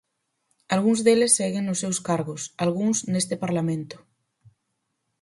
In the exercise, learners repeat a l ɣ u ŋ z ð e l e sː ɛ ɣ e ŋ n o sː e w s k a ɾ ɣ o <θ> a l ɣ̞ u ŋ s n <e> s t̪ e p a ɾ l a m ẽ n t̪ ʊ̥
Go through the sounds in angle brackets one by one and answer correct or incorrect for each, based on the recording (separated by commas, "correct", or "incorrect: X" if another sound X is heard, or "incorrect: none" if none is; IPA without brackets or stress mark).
incorrect: s, correct